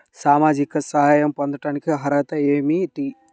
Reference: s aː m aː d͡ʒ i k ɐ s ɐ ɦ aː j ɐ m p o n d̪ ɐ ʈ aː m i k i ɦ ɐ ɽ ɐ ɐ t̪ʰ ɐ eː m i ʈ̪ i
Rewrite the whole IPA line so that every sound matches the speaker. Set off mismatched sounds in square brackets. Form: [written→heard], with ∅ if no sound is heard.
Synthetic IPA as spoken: s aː m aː d͡ʒ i k ɐ s ɐ ɦ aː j ɐ m p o n d̪ ɐ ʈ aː [m→n] i k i ɦ ɐ [ɽ→ɾ] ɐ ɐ [t̪ʰ→t̪] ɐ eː m i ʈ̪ i